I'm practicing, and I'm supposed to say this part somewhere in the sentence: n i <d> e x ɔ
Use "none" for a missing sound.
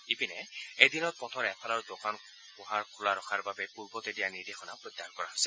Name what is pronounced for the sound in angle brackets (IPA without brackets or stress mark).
d